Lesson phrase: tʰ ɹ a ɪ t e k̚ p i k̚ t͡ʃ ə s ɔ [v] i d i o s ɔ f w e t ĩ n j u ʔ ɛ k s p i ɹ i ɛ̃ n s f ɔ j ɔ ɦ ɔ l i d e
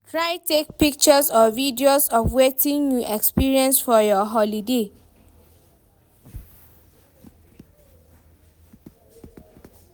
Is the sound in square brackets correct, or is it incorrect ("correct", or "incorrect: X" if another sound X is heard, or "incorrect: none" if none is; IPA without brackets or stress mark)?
correct